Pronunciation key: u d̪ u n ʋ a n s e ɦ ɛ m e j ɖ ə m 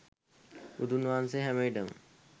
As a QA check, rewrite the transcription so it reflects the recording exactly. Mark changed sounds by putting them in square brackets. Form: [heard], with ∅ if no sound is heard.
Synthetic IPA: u d̪ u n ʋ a n s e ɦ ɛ m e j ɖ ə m